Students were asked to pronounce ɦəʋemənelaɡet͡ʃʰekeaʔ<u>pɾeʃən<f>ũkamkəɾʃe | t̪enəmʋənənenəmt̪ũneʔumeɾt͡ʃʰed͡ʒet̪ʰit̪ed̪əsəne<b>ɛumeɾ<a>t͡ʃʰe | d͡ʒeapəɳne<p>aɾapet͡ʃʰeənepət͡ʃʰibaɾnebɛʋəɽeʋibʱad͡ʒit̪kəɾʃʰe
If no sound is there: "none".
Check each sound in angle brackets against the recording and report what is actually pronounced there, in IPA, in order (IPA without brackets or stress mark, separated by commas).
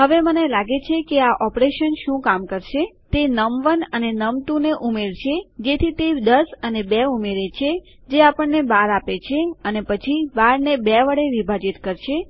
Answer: ɔ, ʃ, b, e, b